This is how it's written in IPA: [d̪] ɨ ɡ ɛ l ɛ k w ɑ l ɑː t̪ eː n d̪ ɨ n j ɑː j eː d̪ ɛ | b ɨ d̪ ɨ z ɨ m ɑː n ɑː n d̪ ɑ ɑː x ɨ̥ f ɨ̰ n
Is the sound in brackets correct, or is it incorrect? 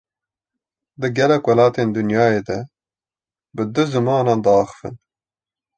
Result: correct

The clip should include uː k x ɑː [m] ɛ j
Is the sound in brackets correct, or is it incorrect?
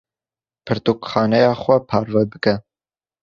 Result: incorrect: n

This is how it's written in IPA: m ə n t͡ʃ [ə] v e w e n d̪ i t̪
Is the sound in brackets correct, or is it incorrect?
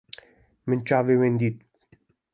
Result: incorrect: a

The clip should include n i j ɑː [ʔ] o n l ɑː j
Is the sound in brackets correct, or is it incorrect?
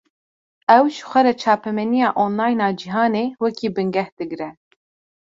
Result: correct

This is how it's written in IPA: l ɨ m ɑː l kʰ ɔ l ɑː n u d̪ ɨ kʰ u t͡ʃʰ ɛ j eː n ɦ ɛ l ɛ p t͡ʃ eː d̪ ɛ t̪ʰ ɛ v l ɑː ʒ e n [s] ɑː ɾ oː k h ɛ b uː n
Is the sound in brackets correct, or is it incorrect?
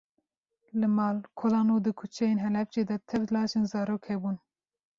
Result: incorrect: z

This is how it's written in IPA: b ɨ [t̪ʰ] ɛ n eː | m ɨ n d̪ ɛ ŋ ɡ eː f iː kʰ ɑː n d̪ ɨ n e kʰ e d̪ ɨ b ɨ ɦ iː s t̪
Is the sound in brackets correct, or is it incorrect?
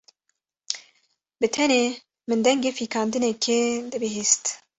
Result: correct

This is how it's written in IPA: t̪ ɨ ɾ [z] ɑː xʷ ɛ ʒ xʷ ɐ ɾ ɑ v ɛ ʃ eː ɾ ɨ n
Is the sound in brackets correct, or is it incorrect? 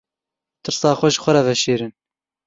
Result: incorrect: s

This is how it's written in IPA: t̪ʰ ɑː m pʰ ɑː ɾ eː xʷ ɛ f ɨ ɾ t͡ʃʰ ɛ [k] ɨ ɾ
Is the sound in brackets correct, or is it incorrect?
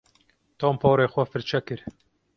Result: correct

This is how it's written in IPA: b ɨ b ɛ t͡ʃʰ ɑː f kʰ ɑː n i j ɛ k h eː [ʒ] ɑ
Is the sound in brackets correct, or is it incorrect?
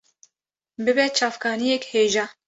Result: correct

